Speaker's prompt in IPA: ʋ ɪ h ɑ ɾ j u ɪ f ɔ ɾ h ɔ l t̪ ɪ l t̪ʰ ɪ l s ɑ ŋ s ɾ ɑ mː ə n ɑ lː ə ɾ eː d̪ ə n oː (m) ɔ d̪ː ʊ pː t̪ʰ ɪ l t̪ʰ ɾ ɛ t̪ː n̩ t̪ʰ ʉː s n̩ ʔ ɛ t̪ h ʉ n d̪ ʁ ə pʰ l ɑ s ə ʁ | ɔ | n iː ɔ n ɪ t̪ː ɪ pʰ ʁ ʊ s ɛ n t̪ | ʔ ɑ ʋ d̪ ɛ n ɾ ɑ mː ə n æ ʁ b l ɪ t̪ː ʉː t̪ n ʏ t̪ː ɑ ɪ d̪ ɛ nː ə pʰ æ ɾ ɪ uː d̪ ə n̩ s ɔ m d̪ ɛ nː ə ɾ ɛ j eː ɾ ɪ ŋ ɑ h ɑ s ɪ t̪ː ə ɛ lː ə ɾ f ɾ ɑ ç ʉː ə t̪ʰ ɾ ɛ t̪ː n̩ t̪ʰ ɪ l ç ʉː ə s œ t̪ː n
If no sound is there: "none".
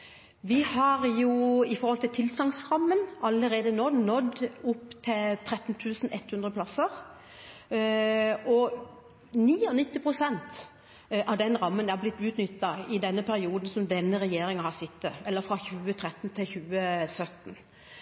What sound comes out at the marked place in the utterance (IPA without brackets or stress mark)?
n